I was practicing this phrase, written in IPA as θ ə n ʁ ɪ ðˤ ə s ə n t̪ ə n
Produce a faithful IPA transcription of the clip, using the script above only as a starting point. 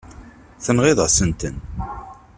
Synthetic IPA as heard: θ ə n ʁ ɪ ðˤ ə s ə n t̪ ə n